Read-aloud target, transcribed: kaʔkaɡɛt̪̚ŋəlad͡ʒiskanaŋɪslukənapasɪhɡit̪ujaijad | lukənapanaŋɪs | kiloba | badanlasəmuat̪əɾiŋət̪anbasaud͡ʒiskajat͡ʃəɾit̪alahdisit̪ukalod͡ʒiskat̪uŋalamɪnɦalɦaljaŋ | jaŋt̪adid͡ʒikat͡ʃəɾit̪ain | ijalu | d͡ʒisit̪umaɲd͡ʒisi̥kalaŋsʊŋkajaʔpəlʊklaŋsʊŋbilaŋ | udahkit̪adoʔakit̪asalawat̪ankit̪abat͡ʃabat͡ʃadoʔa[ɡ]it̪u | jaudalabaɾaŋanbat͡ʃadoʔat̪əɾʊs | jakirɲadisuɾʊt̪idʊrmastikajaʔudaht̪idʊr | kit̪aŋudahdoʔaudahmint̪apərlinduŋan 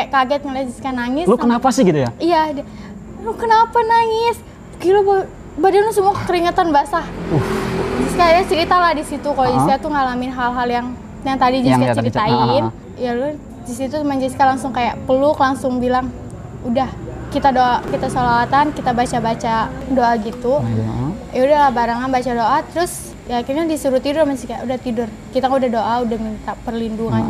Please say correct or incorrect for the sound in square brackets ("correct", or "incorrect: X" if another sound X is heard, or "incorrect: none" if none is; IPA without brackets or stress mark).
correct